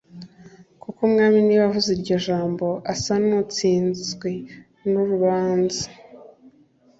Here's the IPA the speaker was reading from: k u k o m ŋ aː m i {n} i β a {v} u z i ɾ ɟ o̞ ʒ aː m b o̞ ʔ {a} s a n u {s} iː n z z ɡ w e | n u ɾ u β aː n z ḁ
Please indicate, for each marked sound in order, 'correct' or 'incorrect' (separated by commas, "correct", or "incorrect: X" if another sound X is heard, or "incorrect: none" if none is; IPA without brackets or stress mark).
correct, correct, correct, incorrect: t͡s